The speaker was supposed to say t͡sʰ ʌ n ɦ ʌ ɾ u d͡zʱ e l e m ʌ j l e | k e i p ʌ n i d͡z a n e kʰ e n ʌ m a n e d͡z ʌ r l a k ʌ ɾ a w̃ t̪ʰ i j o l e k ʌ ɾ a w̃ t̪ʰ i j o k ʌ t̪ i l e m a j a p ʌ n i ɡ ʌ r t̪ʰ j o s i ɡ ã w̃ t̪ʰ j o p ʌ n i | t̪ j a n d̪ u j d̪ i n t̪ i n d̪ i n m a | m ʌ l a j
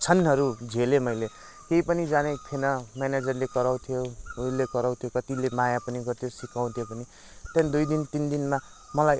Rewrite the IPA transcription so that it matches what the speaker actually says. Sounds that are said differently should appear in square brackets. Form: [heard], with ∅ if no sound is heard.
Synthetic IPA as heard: t͡sʰ ʌ n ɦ ʌ ɾ u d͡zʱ e l e m ʌ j l e | k e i p ʌ n i d͡z a n e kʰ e n ʌ m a n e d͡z ʌ r l [e] k ʌ ɾ a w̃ t̪ʰ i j o l e k ʌ ɾ a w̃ t̪ʰ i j o k ʌ t̪ i l e m a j a p ʌ n i ɡ ʌ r t̪ʰ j o s i [k] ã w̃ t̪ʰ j o p ʌ n i | t̪ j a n d̪ u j d̪ i n t̪ i n d̪ i n m a | m ʌ l a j